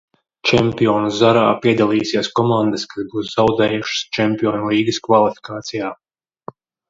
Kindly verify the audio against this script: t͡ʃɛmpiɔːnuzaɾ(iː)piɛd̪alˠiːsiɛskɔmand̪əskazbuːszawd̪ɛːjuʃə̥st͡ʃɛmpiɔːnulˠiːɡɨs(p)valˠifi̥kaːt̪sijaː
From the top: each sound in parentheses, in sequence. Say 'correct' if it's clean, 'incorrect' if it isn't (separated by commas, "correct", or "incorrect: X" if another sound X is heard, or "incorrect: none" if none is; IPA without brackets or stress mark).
incorrect: aː, incorrect: k